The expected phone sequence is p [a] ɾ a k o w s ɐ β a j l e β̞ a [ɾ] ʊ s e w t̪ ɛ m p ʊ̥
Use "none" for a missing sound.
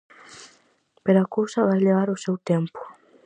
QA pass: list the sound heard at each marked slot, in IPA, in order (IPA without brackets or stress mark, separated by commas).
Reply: e, ɾ